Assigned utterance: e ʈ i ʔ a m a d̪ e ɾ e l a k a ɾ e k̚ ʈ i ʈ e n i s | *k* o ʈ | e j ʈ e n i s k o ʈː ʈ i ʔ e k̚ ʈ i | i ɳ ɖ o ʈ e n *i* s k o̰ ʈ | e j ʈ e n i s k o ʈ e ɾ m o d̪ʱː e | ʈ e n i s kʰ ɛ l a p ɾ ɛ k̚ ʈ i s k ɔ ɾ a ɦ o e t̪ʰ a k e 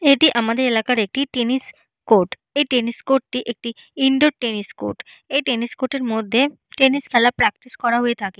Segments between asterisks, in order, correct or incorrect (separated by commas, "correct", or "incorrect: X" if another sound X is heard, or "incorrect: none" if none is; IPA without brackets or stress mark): correct, correct